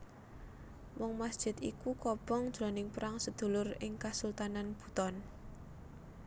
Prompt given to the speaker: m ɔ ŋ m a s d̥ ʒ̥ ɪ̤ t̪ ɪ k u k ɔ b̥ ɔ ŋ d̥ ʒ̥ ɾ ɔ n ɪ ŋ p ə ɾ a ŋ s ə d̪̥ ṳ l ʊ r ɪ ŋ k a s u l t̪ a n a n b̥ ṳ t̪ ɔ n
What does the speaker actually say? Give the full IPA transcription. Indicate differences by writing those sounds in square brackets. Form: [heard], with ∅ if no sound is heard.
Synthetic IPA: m ɔ ŋ m a s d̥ ʒ̥ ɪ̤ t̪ [i] k u k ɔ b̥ ɔ ŋ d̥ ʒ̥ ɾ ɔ n ɪ ŋ p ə ɾ a ŋ s ə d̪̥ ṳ l ʊ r ɪ ŋ k a s u l t̪ a n a n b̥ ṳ t̪ ɔ n